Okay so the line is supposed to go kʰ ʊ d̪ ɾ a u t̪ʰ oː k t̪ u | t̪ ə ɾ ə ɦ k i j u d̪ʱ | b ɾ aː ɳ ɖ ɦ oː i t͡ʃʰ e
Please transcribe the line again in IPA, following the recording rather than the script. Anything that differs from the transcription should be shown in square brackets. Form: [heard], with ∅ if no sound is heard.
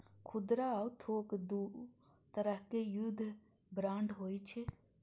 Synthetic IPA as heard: kʰ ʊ d̪ ɾ a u t̪ʰ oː k [d̪] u | t̪ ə ɾ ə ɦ k [e] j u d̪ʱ | b ɾ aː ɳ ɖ ɦ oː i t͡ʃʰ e